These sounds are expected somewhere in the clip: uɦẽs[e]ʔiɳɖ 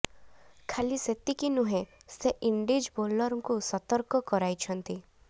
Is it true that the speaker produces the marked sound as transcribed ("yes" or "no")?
yes